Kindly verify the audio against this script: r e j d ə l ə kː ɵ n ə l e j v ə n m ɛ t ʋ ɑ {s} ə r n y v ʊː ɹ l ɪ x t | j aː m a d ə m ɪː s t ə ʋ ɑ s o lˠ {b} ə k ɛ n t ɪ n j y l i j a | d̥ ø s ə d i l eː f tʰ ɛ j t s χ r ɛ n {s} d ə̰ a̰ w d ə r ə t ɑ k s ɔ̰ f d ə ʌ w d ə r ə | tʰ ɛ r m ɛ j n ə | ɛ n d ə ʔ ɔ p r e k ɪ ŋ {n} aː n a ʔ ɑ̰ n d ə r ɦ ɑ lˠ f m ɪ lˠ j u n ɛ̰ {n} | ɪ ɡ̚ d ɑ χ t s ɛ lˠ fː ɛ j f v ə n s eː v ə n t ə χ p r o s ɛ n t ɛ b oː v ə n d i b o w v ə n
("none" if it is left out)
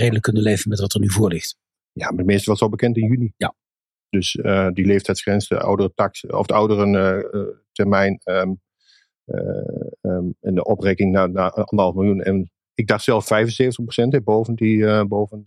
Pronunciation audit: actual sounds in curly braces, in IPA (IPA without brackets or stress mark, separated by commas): t, b, s, n, n